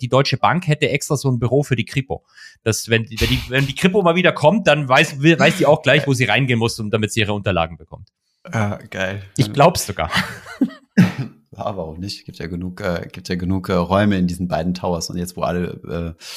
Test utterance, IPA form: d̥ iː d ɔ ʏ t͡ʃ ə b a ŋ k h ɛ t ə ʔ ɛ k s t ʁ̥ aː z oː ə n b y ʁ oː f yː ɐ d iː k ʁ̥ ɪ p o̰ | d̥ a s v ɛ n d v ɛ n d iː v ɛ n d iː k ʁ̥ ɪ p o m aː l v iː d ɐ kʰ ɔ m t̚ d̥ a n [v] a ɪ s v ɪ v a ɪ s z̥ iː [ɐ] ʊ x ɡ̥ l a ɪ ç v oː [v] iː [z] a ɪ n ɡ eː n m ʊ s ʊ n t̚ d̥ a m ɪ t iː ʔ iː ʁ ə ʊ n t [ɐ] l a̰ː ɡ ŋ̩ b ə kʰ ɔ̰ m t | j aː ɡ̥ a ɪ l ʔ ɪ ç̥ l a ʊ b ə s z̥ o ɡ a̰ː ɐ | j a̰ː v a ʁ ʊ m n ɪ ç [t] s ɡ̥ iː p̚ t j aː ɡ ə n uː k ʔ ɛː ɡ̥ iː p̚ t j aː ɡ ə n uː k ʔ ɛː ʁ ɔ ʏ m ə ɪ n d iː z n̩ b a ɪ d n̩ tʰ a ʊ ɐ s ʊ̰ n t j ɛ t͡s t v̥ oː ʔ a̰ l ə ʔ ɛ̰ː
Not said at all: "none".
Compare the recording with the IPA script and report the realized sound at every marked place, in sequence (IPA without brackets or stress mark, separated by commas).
v, a, z, ʁ, ɐ, t